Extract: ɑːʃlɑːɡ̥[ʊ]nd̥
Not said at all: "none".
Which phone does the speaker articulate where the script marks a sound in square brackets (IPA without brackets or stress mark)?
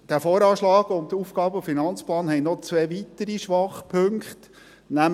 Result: ʊ